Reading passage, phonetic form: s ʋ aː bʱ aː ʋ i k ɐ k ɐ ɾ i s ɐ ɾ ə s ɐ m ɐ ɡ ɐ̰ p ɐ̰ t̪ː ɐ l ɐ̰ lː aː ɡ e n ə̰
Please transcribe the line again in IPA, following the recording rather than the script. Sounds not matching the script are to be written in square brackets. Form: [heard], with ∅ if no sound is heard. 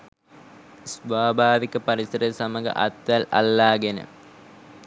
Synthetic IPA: s ʋ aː bʱ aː ʋ i k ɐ [p] ɐ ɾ i s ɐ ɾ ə s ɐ m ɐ ɡ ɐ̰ [ʔ] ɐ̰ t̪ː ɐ l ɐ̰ lː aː ɡ e n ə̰

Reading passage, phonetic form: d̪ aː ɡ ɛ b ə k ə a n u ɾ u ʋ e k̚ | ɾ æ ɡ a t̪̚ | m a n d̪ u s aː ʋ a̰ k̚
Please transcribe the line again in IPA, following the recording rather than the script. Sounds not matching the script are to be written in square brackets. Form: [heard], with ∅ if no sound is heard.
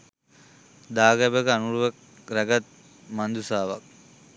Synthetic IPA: d̪ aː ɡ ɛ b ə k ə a n u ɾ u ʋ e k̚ | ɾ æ ɡ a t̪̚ | m a n d̪ u s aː ʋ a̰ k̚

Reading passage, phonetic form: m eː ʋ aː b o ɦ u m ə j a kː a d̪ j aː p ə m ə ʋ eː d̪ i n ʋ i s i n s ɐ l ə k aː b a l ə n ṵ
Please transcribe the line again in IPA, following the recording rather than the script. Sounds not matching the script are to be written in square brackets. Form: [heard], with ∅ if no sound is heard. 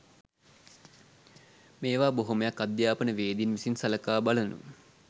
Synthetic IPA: m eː ʋ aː b o ɦ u m ə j a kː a d̪ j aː p ə [n] ə ʋ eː d̪ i n ʋ i s i n s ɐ l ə k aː b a l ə n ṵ

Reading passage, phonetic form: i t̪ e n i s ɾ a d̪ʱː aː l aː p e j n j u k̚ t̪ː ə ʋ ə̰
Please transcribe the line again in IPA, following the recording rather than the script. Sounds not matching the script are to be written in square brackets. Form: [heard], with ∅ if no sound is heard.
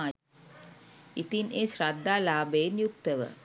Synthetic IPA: i t̪ [i] n [e] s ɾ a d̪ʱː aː l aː [b] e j n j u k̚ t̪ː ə ʋ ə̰

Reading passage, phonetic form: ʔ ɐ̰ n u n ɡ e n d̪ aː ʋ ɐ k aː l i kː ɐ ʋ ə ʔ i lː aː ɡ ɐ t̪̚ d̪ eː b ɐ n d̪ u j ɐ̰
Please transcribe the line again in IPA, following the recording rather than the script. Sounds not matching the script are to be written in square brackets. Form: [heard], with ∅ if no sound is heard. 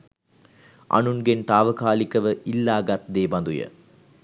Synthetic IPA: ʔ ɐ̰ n u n ɡ e n [t̪] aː ʋ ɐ k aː l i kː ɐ ʋ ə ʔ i lː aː ɡ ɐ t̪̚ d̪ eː b ɐ n d̪ u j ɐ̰

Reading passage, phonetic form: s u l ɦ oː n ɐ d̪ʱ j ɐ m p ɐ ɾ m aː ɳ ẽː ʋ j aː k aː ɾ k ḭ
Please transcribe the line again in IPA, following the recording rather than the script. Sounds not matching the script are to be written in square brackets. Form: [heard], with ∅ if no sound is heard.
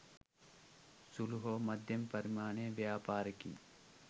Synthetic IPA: s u l ɦ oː [m] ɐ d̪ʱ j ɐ m p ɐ ɾ m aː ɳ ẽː ʋ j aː [p] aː ɾ k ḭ

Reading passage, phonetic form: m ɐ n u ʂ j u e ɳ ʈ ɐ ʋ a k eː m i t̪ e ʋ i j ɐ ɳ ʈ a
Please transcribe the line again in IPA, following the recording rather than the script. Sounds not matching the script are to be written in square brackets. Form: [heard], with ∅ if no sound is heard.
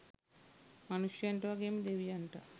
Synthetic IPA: m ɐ n u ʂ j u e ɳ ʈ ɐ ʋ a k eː m i [d̪] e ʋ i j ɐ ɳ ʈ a

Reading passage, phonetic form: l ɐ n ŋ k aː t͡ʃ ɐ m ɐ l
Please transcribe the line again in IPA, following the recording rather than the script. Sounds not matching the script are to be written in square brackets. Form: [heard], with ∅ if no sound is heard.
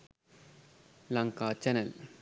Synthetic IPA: l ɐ [∅] ŋ k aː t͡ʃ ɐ [n] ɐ l

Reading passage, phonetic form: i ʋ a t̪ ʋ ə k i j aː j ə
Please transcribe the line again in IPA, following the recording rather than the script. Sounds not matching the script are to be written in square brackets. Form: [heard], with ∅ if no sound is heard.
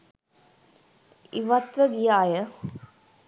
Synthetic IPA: i ʋ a t̪ ʋ ə [ɡ] i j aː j ə

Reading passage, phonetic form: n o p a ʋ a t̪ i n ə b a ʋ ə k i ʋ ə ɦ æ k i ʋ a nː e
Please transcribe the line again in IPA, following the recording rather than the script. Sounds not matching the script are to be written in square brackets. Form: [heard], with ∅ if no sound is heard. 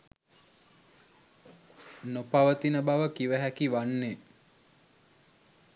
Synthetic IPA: n o p a ʋ [ə] t̪ i n ə b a ʋ ə k i ʋ ə ɦ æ k i ʋ a nː e

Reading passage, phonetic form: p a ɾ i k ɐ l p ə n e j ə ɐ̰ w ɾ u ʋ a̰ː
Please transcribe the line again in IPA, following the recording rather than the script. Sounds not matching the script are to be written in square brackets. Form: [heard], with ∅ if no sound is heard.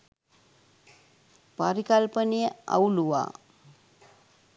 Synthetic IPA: p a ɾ i k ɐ l p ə n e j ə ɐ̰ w [l] u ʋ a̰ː

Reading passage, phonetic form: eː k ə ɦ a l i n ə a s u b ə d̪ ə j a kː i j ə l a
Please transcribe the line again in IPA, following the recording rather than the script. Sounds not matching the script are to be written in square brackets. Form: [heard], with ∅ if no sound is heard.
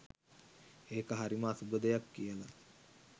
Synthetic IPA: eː k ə ɦ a [ɾ] i [m] ə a s u b ə d̪ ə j a kː i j ə l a

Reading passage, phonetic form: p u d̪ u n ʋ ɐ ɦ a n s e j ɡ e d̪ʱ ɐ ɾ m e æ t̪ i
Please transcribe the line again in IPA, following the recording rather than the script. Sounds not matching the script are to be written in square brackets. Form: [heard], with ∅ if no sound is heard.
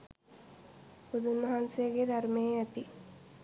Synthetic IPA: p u d̪ u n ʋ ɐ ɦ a n s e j ɡ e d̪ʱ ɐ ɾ m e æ t̪ i

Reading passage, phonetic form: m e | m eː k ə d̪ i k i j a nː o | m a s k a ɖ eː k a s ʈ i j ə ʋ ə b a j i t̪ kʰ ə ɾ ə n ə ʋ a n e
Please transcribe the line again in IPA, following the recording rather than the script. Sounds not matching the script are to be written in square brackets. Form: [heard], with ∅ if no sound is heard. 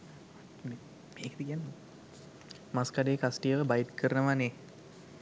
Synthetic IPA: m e | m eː k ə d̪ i k i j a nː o | m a s k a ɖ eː k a s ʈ i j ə ʋ ə b a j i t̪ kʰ ə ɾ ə n ə ʋ a n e

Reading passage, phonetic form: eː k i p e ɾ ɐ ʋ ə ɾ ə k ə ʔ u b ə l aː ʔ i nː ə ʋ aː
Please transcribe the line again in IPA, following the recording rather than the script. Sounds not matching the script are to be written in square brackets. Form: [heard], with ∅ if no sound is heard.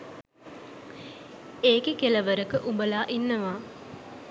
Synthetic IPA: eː k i [k] e [l] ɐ ʋ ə ɾ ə k ə ʔ u b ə l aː ʔ i nː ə ʋ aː

